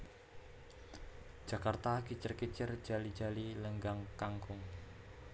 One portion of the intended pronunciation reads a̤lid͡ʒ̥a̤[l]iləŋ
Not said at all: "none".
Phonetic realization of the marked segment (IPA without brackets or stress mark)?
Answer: l